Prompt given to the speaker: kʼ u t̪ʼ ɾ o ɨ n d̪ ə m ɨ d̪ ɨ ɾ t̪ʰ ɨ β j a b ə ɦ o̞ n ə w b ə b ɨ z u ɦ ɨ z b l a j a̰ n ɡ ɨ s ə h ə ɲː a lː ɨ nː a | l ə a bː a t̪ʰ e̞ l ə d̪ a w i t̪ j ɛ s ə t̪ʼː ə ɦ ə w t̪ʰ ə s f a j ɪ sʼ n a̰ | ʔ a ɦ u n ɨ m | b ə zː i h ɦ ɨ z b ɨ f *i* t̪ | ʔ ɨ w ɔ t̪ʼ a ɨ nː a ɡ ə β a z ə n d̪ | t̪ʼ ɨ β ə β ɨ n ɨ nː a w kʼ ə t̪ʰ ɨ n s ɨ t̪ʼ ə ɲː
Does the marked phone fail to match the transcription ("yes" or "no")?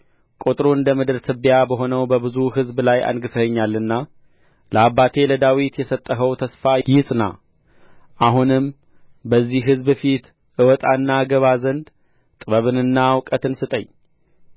no